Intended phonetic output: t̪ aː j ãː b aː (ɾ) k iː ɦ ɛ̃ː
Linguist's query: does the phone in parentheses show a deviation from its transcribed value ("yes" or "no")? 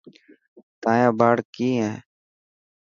yes